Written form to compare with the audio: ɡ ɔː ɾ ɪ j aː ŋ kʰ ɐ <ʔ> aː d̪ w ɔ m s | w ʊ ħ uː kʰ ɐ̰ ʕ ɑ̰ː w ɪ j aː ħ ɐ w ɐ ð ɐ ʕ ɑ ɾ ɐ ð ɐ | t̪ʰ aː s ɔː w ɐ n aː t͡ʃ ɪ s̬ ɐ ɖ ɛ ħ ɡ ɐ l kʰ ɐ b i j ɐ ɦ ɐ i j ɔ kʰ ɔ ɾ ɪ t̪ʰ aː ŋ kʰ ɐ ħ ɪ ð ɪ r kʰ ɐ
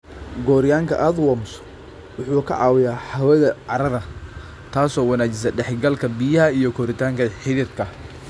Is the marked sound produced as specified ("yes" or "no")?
yes